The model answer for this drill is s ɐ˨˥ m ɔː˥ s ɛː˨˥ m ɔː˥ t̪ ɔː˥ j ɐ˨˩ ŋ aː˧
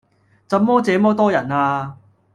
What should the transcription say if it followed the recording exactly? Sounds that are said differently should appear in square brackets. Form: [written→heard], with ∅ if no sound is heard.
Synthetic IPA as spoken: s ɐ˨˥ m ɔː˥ [s→t͡s] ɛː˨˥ m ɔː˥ t̪ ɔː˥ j ɐ˨˩ [ŋ→n] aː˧